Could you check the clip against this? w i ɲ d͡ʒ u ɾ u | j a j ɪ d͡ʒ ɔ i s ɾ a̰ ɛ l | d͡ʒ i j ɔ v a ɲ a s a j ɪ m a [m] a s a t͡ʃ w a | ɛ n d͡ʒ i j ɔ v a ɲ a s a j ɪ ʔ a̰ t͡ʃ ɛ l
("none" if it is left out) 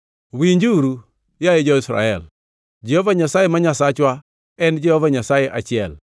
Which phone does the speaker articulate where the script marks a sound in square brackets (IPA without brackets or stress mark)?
ɲ